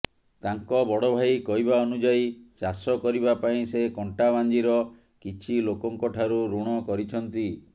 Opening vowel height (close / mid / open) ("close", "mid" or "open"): open